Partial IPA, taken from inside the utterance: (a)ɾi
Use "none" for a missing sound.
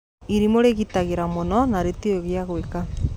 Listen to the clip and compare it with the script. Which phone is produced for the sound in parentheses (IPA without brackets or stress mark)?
i